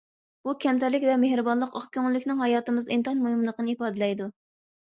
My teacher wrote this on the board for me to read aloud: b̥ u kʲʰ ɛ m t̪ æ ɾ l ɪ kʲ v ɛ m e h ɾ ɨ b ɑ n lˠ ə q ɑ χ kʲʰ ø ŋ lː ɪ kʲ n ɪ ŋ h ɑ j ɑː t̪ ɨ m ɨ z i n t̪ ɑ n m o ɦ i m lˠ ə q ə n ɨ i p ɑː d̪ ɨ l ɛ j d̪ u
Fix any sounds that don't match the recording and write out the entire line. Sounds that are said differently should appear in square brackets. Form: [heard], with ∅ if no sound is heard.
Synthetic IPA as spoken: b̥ u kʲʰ ɛ m t̪ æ ɾ l ɪ kʲ v ɛ m e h ɾ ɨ b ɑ n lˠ ə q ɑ χ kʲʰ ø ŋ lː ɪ kʲ n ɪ ŋ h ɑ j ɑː t̪ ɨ m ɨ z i n t̪ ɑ n m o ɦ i m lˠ ə q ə n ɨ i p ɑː d̪ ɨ l ɛ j d̪ u